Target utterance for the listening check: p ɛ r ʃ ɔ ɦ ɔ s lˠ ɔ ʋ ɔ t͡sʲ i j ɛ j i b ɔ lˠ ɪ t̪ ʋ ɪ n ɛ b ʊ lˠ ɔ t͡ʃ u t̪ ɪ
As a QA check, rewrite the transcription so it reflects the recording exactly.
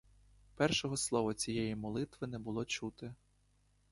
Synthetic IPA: p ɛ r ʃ ɔ ɦ ɔ s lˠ ɔ ʋ ɔ t͡sʲ i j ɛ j i m ɔ lˠ ɪ t̪ ʋ ɪ n ɛ b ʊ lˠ ɔ t͡ʃ u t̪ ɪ

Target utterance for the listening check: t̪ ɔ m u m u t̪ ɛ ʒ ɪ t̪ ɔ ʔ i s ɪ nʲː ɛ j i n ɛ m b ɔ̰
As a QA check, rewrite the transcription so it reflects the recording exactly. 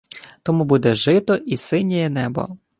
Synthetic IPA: t̪ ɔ m u b u d̪ ɛ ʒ ɪ t̪ ɔ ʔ i s ɪ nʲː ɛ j ɛ n ɛ b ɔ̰

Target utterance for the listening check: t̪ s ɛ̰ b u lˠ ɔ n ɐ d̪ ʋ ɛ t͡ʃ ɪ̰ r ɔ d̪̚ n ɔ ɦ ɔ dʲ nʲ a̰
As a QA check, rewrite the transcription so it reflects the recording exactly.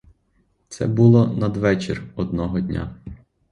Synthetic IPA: t̪ s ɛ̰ b u lˠ ɔ n ɐ d̪ ʋ ɛ t͡ʃ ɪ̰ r ɔ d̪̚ n ɔ ɦ ɔ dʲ nʲ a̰

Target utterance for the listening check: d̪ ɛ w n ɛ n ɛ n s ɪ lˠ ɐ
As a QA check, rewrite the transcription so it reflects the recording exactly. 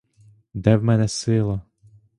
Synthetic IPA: d̪ ɛ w m ɛ n ɛ s ɪ lˠ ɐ

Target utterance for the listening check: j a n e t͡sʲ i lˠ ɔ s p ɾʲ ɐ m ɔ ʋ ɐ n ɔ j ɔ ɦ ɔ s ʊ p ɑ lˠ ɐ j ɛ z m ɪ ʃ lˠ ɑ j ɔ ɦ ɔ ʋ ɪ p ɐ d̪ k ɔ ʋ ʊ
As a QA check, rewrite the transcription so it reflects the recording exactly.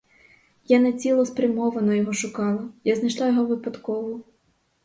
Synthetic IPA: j a n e t͡sʲ i lˠ ɔ s p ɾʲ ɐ m ɔ ʋ ɐ n ɔ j ɔ ɦ ɔ ʃ ʊ k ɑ lˠ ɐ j a z n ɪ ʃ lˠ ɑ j ɔ ɦ ɔ ʋ ɪ p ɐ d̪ k ɔ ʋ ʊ

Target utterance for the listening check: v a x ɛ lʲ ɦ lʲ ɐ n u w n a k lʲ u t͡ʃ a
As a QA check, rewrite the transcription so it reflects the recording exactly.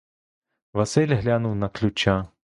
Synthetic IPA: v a s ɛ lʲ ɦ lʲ a n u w n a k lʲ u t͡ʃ a

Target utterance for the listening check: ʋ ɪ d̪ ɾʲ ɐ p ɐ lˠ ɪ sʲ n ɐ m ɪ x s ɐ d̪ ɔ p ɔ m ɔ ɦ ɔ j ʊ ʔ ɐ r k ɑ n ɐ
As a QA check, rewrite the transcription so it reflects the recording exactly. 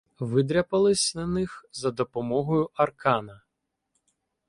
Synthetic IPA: ʋ ɪ d̪ ɾʲ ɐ p ɐ lˠ ɪ sʲ n ɐ n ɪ x z ɐ d̪ ɔ p ɔ m ɔ ɦ ɔ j ʊ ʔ ɐ r k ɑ n ɐ

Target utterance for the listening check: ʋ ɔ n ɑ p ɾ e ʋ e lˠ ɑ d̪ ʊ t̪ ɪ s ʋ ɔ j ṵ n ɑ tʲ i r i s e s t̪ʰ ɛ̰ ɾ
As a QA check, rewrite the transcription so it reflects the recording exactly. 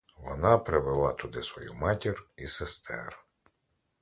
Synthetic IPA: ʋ ɔ n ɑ p ɾ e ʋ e lˠ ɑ t̪ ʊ d̪ ɪ s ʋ ɔ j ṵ m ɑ tʲ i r i s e s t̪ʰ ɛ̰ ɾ

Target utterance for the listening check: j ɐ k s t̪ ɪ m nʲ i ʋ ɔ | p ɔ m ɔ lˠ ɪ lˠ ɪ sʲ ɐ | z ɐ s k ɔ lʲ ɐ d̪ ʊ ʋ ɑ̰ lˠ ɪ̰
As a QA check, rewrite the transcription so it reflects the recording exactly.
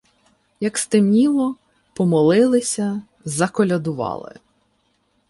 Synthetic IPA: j ɐ k s t̪ ɪ m nʲ i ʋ ɔ | p ɔ m ɔ lˠ ɪ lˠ ɪ sʲ ɐ | z ɐ k ɔ lʲ ɐ d̪ ʊ ʋ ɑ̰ lˠ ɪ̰

